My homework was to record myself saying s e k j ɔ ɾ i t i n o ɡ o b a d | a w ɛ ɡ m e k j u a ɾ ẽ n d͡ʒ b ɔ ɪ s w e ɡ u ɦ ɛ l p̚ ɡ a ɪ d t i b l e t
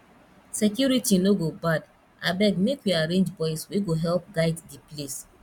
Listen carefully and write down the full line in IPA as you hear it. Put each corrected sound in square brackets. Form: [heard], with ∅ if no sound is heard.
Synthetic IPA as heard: s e k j [u] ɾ i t i n o ɡ o b a d | a [b] ɛ ɡ m e k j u a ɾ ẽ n d͡ʒ b ɔ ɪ s w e ɡ [o] ɦ ɛ l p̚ ɡ a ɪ d [d] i [p] l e [s]